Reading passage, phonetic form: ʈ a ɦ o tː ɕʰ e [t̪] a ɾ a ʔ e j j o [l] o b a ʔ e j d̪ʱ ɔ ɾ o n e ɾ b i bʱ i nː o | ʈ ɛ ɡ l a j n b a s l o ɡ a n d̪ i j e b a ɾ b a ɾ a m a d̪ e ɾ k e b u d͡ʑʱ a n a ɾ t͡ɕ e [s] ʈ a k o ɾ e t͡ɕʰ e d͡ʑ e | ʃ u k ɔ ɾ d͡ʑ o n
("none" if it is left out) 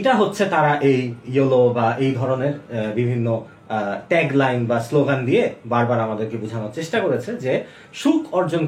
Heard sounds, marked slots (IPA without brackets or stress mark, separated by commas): t̪, l, ʃ